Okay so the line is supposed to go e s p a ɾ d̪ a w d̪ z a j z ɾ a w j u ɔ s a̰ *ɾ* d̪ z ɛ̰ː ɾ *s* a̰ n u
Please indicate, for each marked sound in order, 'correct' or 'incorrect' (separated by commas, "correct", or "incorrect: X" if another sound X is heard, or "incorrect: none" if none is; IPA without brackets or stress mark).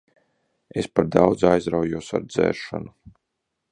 correct, incorrect: ʃ